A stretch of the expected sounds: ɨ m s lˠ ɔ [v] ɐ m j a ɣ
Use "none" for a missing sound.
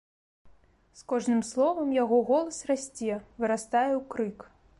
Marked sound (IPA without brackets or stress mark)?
v